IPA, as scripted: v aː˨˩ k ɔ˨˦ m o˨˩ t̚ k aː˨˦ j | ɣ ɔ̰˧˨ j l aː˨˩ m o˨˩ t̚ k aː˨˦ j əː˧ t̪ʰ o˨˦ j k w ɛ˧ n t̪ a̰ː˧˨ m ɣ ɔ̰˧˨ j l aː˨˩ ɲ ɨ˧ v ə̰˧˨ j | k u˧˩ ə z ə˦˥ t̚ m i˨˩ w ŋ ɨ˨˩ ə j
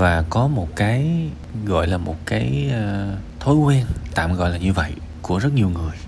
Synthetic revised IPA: v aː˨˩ k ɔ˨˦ m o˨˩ t̚ k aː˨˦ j | ɣ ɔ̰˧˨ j l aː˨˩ m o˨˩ t̚ k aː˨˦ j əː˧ t̪ʰ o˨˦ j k w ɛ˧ n t̪ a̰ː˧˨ m ɣ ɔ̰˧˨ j l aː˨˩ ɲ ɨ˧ v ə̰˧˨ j | k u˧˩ ə z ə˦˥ t̚ ɲ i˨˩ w ŋ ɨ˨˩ ə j